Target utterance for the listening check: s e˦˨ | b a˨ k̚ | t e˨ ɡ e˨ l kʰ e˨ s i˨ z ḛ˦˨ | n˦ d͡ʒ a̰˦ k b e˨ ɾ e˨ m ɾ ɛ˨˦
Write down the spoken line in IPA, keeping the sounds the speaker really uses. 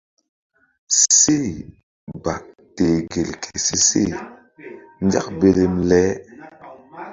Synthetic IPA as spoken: s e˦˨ | b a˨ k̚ | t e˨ ɡ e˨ l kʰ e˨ s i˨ s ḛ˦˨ | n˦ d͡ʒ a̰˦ k b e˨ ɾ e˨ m l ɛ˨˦